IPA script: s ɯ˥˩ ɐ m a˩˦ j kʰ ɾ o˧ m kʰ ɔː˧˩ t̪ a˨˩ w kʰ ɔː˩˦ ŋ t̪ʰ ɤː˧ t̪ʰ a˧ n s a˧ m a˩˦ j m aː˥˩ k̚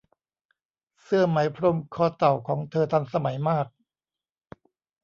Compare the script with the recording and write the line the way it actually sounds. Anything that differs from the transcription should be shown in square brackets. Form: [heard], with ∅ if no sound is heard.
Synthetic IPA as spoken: s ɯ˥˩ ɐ m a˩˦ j [pʰ] ɾ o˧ m kʰ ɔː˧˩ t̪ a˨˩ w kʰ ɔː˩˦ ŋ t̪ʰ ɤː˧ t̪ʰ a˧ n s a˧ m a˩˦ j m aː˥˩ k̚